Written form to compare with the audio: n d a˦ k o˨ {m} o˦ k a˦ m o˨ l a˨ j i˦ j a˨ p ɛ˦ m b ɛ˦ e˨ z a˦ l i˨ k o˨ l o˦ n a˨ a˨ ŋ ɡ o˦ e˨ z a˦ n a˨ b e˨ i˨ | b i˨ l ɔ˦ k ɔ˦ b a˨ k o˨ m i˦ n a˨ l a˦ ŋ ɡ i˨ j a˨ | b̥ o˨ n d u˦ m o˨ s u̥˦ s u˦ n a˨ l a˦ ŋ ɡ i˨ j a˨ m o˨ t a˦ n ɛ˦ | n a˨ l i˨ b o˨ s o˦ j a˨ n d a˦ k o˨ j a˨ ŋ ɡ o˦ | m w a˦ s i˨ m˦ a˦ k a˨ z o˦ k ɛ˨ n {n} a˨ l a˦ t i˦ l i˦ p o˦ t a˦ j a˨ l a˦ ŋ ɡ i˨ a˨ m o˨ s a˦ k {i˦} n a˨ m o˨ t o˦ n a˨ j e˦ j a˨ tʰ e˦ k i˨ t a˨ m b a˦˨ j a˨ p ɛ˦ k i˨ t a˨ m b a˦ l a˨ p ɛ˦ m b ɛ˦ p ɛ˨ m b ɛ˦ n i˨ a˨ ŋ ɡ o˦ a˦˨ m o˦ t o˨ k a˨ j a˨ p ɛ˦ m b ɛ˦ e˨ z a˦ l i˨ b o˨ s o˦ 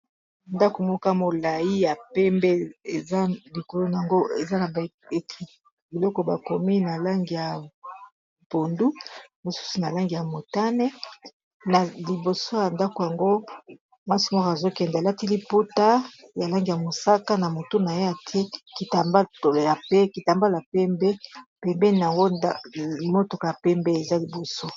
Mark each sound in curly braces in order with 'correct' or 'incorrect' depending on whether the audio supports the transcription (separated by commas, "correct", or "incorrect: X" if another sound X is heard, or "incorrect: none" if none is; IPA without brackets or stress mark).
correct, incorrect: d, incorrect: a˦